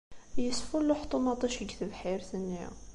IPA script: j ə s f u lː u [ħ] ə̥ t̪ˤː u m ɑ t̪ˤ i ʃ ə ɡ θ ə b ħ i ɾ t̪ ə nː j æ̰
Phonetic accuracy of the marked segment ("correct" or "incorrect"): correct